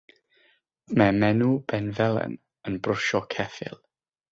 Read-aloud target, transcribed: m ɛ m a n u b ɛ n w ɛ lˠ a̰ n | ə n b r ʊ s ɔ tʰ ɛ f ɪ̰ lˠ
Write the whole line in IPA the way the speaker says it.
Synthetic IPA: m ɛ m ɛ n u b ɛ n v ɛ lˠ ɛ̰ n | ə n b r ʊ ʃ ɔ kʰ ɛ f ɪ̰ lˠ